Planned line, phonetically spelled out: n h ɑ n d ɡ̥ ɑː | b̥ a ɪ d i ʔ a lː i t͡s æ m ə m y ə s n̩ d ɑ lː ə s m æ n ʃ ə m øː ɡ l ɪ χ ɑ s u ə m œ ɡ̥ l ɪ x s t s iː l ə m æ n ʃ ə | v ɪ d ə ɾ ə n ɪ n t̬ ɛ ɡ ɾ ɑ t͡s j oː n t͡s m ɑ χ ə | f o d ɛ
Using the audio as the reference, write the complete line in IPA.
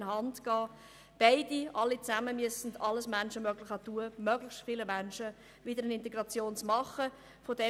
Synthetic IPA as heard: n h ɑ n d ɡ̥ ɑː | b̥ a ɪ d i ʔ ɑ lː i t͡s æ m ə m y ə s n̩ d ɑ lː ə s m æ n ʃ ə m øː ɡ l ɪ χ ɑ t u ə m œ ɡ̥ l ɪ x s t f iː l ə m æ n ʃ ə | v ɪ d ə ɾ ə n ɪ n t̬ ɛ ɡ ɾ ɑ t͡s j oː n t͡s m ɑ χ ə | f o d ɛ